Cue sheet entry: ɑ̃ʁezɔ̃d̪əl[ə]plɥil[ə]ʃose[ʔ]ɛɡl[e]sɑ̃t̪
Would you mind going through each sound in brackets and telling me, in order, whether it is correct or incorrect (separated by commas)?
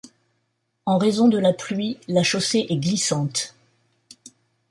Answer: incorrect, incorrect, correct, incorrect